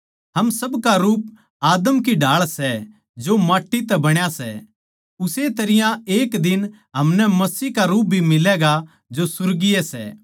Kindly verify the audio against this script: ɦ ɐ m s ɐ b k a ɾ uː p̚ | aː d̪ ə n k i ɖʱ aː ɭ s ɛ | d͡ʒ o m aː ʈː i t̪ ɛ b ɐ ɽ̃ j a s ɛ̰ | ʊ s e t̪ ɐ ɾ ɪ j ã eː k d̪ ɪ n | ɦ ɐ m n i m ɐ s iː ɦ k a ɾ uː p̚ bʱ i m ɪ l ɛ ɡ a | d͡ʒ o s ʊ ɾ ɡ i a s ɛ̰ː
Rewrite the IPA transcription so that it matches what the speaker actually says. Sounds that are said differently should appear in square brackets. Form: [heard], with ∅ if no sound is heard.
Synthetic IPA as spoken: ɦ ɐ m s ɐ b k a ɾ uː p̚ | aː d̪ ə [m] k i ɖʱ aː ɭ s ɛ | d͡ʒ o m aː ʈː i t̪ ɛ b ɐ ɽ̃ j a s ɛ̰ | ʊ s e t̪ ɐ ɾ ɪ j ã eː k d̪ ɪ n | ɦ ɐ m n [ɛ] m ɐ s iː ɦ k a ɾ uː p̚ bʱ i m ɪ l ɛ ɡ a | d͡ʒ o s ʊ ɾ ɡ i [ɛ] s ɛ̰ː